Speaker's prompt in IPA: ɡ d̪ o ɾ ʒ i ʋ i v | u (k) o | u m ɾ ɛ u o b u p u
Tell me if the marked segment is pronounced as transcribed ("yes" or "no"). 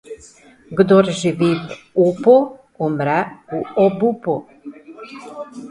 no